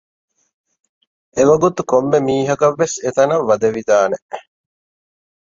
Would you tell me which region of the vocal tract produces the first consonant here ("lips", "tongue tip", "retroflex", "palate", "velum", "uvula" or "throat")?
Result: lips